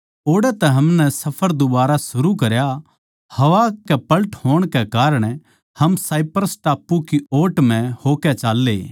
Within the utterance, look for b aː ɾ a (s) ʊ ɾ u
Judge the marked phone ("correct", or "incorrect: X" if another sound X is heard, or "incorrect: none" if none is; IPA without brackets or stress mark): correct